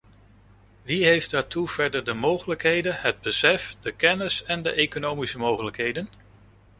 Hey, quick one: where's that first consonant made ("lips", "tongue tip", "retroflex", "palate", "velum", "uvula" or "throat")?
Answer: lips